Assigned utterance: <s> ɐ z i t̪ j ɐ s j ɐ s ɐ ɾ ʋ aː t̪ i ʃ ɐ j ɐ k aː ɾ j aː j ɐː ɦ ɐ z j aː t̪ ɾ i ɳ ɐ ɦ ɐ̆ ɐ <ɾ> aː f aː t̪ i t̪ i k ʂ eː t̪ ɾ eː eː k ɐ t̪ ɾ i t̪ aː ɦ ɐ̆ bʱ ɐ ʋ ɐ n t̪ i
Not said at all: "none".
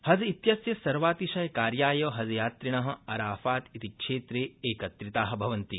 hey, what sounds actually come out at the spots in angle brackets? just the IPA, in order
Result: h, ɾ

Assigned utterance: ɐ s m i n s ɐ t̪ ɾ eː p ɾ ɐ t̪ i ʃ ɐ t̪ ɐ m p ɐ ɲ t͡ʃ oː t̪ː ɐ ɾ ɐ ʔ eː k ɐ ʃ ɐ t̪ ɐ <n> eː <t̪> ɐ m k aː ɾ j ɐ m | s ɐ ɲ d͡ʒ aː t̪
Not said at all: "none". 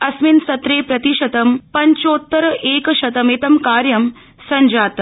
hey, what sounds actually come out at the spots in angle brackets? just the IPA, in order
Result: m, t̪

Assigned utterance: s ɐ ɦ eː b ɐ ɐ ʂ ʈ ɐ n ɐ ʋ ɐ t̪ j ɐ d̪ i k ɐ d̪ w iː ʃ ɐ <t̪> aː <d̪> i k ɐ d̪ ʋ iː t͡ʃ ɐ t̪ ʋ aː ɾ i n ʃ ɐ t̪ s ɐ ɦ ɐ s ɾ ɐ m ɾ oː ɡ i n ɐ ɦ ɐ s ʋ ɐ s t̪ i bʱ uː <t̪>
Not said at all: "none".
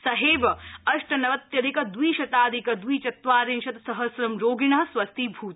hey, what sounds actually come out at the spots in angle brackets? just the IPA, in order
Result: t̪, d̪, t̪

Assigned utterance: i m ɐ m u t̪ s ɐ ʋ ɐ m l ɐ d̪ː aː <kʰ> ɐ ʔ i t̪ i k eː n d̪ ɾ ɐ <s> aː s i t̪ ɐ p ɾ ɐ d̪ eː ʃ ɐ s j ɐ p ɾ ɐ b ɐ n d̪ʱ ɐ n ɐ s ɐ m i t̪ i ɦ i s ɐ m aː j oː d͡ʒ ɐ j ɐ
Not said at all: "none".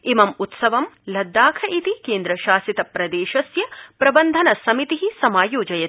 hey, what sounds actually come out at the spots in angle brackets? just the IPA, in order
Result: kʰ, ʃ

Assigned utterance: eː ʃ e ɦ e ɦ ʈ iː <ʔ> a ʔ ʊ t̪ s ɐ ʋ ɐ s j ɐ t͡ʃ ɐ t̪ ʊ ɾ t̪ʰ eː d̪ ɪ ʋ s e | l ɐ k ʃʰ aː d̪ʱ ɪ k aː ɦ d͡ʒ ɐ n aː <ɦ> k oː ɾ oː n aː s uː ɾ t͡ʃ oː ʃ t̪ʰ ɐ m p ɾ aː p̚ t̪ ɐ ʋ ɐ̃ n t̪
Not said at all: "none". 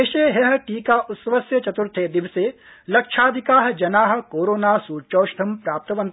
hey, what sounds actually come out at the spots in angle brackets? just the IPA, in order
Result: k, ɦ

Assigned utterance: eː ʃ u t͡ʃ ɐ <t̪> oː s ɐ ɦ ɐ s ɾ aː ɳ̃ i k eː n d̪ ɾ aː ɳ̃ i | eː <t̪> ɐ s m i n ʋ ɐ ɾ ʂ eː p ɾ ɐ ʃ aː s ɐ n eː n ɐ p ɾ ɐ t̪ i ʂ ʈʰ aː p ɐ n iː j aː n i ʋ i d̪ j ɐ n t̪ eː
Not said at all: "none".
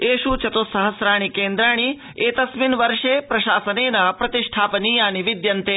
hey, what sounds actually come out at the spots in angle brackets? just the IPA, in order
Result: t̪, t̪

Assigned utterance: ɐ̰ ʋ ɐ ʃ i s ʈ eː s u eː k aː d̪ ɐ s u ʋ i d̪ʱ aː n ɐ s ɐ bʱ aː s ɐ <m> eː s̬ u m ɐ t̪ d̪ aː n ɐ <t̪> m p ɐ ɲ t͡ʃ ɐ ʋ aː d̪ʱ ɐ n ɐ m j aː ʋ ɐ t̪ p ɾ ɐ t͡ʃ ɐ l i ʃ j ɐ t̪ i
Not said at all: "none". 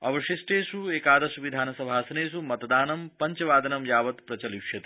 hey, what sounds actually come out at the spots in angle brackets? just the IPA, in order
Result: n, none

